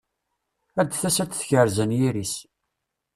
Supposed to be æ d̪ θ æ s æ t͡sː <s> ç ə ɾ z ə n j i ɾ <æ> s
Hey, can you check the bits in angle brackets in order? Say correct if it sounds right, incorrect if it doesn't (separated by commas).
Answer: incorrect, incorrect